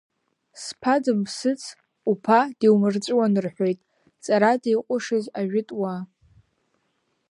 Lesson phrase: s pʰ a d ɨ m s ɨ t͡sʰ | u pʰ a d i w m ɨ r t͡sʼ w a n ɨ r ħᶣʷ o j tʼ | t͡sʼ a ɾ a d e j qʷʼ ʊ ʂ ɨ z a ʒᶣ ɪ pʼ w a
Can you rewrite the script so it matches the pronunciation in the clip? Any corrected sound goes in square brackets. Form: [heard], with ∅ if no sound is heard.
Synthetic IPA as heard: s pʰ a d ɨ m s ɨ t͡sʰ | u pʰ a d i w m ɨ r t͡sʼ w a n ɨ r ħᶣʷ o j tʼ | t͡sʼ a ɾ a d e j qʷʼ ʊ ʂ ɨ z a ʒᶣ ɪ [tʼ] w a